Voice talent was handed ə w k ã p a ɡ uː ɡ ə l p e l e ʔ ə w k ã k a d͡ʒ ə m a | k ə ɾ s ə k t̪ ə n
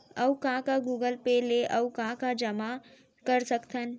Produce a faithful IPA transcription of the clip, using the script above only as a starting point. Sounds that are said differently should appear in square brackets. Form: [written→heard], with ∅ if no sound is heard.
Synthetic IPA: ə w k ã [p→k] a ɡ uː ɡ ə l p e l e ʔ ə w k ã k a d͡ʒ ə m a | k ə ɾ s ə k t̪ ə n